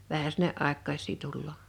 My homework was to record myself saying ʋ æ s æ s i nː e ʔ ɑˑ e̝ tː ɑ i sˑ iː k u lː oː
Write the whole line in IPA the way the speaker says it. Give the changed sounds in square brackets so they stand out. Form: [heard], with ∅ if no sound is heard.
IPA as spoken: ʋ æ [h] æ s i nː e ʔ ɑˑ e̝ [kː] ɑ i sˑ iː [t] u lː oː

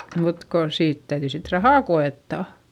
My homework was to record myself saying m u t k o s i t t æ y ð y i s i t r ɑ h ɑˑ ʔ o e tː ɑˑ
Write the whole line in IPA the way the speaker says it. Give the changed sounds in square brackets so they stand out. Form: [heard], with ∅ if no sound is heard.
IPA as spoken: m u t k o s [iː] t t æ y ð y i s i t r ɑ h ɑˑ [k] o e tː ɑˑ

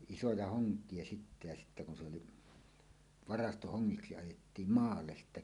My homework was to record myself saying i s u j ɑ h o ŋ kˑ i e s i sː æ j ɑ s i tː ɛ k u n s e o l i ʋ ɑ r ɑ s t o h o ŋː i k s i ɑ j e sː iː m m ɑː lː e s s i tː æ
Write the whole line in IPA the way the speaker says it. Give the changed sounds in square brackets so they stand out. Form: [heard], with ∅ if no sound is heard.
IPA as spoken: i s [o] j ɑ h o ŋ kˑ i e s i [tː] æ j ɑ s i tː [æ] k u n s e o l i ʋ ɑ r ɑ s t o h o ŋː i k s i ɑ j e [tː] iː m m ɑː lː e s s i tː æ

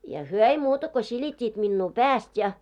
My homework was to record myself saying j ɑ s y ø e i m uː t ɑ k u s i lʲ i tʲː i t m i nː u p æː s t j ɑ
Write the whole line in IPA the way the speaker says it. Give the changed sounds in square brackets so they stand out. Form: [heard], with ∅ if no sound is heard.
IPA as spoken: j ɑ [h] y ø e i m uː t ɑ k [o] s i lʲ i tʲː [iː] t m i nː [uː] p æː s t j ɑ

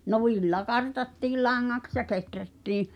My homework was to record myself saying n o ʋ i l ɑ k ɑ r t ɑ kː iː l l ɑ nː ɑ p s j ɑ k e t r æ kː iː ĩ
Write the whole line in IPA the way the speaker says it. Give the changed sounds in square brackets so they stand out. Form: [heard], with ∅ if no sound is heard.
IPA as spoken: n o ʋ i [lː] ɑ k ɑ r t ɑ [tː] iː l l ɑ [ŋː] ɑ [k] s j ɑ k e t r æ [tː] iː ĩ

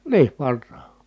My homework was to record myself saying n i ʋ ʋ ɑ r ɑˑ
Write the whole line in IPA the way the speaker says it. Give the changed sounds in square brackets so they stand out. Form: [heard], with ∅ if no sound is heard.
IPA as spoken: n [iː] ʋ ʋ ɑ [rː] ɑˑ

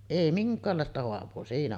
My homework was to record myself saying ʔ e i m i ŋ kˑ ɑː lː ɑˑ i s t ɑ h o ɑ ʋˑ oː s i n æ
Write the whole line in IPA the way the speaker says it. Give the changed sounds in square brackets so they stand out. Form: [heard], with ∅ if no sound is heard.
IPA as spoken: ʔ e i m i ŋ kˑ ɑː lː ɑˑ [e] s t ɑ h o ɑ ʋˑ oː s [iː] n æ

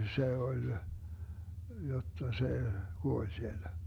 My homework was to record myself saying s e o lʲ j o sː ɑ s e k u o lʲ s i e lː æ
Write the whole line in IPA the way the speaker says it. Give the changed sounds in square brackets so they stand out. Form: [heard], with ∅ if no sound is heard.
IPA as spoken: s e o lʲ j o [tː] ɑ s e k u o lʲ s i e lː æ

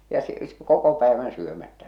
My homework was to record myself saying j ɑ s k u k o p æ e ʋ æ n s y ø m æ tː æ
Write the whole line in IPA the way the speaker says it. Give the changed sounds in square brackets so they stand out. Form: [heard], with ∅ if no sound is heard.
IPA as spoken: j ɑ s k [o] k o p æ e ʋ æ n s y ø m æ tː æ

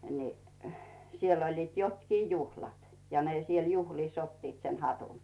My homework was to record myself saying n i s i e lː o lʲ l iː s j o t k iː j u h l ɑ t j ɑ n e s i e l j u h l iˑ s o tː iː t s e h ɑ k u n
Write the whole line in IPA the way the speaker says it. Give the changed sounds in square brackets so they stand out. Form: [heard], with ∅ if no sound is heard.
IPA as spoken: n i s i e lː o lʲ l iː [t] j o t k iː j u h l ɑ t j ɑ n e s i e l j u h l iˑ s o tː iː t s e h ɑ [t] u n

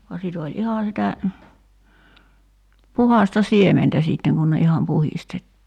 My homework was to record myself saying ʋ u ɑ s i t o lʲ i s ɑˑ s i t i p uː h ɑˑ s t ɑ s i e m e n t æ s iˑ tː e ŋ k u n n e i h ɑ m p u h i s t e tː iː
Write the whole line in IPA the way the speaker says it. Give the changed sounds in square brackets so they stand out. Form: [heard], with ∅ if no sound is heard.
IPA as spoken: ʋ u ɑ s i t o lʲ i [h] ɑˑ s i t [æ] p [u] h ɑˑ s t ɑ s i e m e n t æ s iˑ tː e ŋ k u n n e i h ɑ m p u h i s t e tː iː

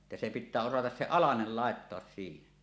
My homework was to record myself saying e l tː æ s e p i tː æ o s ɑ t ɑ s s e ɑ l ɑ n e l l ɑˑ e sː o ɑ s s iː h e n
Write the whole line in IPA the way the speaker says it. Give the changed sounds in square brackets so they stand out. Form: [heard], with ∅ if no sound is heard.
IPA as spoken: e [∅] tː æ s e p i tː [æː] o s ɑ t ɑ s s e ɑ l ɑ n e l l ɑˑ e [tː] o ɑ s s iː h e n

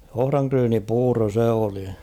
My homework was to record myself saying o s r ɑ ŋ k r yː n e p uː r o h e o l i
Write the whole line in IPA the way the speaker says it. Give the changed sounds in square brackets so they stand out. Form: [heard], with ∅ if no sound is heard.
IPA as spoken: o [h] r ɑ ŋ k r yː n [i] p uː r o [s] e o l i

